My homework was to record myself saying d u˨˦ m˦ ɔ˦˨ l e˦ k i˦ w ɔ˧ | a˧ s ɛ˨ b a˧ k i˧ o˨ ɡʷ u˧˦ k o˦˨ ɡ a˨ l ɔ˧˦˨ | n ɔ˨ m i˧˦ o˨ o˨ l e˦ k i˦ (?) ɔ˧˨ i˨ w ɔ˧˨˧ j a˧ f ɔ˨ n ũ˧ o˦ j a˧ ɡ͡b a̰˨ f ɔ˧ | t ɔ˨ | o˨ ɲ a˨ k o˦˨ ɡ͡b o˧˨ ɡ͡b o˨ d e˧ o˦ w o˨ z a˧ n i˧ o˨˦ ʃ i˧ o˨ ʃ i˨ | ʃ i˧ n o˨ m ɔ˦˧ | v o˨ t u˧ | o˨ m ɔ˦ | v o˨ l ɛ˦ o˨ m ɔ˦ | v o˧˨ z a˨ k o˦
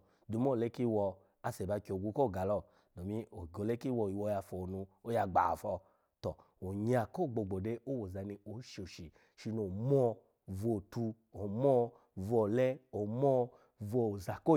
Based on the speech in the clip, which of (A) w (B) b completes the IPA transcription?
A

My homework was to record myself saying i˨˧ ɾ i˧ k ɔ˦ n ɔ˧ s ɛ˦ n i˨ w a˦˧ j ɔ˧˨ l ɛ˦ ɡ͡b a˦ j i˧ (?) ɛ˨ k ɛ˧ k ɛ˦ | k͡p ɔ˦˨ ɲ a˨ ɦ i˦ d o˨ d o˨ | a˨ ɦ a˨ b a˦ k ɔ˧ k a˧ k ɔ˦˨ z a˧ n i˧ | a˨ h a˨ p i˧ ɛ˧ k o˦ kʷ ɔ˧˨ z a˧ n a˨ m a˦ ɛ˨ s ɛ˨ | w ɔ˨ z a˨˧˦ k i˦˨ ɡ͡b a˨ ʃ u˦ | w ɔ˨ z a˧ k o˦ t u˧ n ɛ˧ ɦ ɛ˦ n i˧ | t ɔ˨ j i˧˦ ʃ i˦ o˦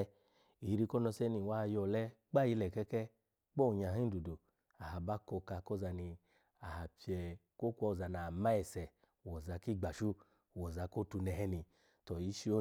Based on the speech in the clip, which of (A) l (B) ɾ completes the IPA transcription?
A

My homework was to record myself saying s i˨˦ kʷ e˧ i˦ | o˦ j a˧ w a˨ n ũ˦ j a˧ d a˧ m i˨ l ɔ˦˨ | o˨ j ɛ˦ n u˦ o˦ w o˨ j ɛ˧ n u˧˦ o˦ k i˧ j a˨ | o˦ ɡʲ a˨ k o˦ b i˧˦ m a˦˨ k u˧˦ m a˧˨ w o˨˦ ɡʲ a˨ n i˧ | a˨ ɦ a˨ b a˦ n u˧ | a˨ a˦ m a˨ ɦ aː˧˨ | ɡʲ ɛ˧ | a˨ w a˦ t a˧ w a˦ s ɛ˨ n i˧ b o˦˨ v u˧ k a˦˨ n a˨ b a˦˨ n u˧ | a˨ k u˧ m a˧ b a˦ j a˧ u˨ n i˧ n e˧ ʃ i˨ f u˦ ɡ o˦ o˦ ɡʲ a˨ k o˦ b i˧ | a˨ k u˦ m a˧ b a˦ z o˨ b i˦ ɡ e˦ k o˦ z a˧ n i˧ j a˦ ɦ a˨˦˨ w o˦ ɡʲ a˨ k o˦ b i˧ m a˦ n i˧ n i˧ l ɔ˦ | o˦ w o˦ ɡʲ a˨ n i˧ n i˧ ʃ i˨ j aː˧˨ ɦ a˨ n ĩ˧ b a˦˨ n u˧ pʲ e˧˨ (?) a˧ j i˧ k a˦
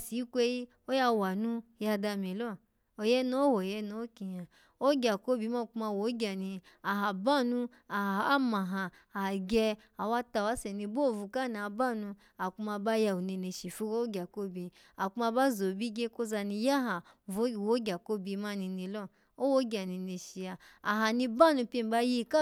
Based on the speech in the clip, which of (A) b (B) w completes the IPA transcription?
A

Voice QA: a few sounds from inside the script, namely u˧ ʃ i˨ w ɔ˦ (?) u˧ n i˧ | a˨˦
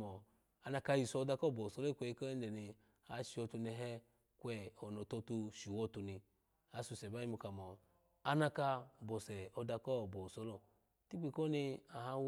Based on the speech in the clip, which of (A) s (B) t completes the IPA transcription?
B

